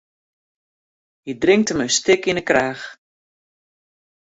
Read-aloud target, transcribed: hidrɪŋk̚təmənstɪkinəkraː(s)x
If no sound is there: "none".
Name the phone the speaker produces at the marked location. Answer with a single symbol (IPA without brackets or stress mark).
none